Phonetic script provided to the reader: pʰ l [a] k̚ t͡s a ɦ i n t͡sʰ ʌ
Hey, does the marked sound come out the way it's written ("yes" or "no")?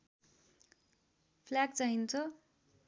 yes